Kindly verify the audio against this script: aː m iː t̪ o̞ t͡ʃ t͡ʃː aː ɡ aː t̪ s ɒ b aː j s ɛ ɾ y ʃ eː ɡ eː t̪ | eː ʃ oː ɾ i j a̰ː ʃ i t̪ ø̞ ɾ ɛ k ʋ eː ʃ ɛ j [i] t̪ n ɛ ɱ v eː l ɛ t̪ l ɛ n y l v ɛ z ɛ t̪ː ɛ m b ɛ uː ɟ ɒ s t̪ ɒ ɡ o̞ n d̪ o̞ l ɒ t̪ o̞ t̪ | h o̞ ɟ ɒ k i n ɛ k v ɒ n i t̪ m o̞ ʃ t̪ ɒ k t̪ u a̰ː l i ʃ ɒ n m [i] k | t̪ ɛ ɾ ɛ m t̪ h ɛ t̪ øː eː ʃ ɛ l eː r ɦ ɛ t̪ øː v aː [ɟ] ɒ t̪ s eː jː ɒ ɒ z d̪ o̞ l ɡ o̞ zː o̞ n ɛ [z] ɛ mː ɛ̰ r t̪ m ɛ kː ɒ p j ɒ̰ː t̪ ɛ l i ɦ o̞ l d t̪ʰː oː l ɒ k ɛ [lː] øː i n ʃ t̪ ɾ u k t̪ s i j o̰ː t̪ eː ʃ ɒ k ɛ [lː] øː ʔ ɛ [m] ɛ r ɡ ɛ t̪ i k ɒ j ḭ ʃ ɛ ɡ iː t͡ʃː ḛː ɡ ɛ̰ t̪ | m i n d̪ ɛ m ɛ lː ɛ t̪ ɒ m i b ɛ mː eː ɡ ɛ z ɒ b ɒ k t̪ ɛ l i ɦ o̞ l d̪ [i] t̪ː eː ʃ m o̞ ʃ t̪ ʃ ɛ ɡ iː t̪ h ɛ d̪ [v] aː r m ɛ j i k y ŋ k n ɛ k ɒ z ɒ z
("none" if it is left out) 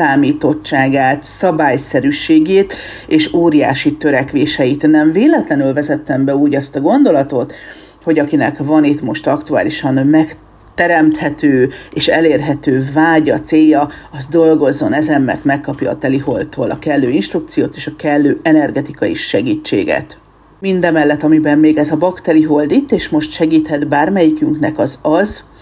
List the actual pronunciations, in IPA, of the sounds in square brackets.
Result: i, ɛ, ɟ, z, lː, lː, n, i, b

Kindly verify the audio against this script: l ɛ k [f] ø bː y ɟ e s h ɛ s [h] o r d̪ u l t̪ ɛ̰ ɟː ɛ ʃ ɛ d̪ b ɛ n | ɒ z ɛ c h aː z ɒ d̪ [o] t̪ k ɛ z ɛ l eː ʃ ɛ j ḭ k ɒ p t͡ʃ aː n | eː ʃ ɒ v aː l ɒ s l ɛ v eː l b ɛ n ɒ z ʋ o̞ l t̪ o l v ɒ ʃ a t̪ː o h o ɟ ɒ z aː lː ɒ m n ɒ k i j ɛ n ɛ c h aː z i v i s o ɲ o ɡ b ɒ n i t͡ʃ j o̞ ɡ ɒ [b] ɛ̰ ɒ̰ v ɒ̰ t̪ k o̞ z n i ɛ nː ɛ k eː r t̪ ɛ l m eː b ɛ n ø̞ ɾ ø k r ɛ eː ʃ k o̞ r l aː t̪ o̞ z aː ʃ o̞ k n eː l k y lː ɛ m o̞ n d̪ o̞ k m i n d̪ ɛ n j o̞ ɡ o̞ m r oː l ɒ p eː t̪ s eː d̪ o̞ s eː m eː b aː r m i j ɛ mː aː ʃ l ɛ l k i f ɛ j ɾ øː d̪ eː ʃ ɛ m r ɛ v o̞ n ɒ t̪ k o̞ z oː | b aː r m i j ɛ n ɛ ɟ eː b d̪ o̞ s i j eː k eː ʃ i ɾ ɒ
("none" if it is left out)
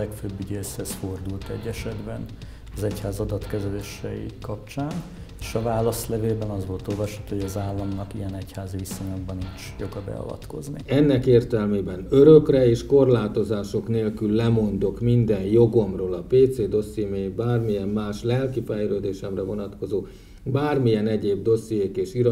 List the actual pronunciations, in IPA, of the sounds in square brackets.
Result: f, f, ɒ, b

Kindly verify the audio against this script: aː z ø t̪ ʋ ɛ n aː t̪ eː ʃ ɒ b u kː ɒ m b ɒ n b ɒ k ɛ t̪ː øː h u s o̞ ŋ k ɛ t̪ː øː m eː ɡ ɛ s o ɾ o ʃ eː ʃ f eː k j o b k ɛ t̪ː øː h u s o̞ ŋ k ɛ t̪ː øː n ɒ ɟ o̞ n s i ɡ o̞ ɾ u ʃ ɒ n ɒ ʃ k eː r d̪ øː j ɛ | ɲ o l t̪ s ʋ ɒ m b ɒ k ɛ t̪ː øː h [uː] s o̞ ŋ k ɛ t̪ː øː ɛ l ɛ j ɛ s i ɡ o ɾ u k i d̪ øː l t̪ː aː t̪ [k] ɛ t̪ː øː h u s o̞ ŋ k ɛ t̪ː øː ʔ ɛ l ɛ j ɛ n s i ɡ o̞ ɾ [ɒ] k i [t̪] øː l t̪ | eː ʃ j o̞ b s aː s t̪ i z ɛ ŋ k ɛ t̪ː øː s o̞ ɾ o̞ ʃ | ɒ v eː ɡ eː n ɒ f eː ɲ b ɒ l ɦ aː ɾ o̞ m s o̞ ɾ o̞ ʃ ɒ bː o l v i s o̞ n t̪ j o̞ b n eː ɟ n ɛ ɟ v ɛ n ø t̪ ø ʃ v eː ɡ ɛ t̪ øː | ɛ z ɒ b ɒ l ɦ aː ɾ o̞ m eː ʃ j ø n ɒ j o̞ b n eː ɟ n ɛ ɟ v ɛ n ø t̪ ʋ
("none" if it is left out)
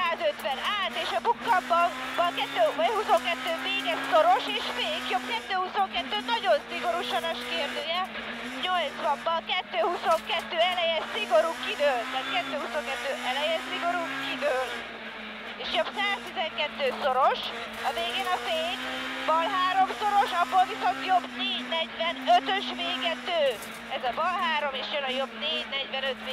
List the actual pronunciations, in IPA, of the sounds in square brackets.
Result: u, k, u, d̪

